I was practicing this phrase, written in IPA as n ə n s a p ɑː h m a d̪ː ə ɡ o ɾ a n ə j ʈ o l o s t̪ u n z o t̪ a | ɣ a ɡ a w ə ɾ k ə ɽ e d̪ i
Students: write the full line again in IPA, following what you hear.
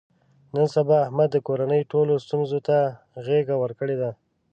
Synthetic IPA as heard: n ə n s a b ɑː h m a d̪ː ə k o ɾ a n ə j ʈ o l o s t̪ u n z o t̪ a | ɣ e ɡ a w ə ɾ k ə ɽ e d̪ a